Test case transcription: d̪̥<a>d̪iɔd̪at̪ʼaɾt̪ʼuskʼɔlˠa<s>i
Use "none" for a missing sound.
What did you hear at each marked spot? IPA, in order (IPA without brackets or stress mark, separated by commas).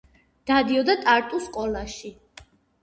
a, ʃ